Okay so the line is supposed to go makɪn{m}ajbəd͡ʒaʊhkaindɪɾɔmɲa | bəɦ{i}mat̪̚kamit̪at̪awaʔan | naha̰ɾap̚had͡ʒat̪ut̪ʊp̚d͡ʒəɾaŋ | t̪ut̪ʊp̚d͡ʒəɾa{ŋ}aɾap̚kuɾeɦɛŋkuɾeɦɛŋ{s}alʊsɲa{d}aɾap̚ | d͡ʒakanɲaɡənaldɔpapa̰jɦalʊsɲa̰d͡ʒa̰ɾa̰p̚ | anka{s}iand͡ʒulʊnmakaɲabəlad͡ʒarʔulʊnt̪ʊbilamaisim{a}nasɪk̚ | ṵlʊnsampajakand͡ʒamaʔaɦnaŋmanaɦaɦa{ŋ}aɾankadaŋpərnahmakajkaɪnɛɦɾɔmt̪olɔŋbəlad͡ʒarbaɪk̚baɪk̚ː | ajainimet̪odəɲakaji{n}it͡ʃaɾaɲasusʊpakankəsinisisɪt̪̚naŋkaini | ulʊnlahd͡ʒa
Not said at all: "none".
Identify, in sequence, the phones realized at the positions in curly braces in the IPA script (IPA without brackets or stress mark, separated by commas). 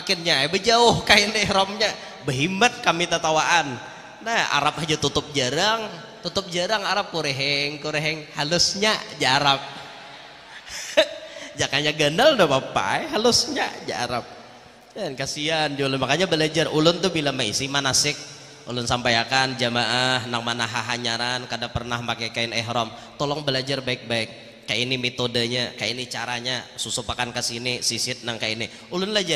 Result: ɲ, i, ŋ, h, d͡ʒ, s, a, ɲ, n